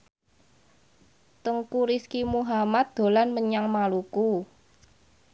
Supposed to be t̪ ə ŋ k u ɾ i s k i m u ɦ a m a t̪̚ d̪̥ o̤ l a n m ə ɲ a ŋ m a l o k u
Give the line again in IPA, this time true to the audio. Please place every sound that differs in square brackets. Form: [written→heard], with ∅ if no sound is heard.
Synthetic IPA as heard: t̪ ə ŋ k u ɾ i s k i m u ɦ a m a t̪̚ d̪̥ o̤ l a n m ə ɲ a ŋ m a l [o→u] k u